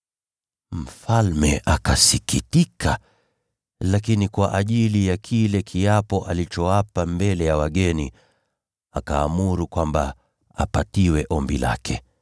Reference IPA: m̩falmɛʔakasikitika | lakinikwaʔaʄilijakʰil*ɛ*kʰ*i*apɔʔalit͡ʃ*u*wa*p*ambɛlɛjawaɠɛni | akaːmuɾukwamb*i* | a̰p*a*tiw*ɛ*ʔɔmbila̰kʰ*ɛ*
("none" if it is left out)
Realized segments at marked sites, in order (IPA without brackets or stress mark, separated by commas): ɛ, i, ɔ, p, a, a, ɛ, ɛ